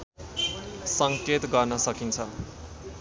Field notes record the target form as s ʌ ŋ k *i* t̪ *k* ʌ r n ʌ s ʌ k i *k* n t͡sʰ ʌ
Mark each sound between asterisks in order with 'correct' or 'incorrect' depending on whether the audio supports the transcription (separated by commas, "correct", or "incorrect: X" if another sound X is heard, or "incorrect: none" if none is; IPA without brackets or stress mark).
incorrect: e, incorrect: ɡ, incorrect: none